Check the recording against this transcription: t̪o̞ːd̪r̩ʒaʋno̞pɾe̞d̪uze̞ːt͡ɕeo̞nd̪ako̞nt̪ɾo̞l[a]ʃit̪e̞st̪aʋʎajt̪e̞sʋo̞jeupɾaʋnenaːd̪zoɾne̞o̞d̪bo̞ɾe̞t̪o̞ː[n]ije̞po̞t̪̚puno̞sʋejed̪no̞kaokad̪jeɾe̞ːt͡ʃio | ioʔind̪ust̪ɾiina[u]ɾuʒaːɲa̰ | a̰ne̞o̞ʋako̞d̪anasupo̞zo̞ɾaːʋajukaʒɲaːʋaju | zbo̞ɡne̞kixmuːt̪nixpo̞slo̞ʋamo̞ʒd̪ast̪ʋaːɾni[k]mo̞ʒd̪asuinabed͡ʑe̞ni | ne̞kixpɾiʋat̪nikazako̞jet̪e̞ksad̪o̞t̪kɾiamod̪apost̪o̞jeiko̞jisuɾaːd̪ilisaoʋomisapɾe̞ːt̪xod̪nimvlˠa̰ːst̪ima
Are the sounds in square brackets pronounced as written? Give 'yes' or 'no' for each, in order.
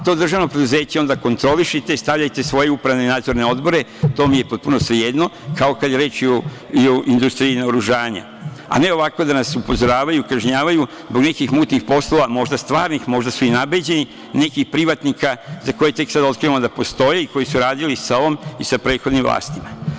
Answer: no, no, no, no

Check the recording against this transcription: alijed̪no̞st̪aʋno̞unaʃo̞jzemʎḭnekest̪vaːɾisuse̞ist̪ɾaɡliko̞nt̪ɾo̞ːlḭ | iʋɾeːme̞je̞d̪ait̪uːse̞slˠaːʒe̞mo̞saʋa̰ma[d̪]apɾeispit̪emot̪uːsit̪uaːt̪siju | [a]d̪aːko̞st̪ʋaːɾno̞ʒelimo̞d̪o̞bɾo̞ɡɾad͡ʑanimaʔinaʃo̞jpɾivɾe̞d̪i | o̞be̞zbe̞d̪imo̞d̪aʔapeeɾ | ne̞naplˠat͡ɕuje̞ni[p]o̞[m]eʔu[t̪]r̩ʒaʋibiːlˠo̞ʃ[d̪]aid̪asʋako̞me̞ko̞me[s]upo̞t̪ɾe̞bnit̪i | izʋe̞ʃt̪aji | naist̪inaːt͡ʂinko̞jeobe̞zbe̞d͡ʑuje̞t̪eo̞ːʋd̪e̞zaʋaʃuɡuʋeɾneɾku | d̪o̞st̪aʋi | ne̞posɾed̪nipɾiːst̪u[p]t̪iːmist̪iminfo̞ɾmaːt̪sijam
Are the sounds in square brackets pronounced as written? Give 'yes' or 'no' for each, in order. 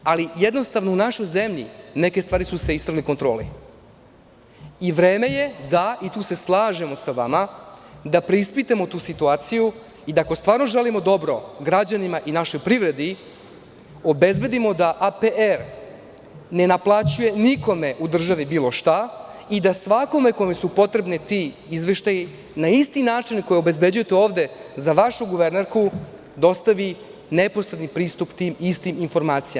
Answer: yes, no, no, yes, no, no, yes, yes

